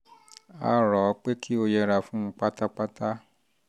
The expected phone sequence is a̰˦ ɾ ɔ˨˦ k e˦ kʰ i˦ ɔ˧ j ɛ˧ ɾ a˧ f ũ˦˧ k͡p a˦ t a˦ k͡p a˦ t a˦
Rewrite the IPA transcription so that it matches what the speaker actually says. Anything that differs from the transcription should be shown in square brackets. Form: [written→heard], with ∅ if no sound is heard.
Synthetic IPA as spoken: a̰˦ ɾ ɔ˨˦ [k→k͡p] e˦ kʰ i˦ [ɔ˧→o˧] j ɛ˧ ɾ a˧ f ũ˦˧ k͡p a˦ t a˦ k͡p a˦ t a˦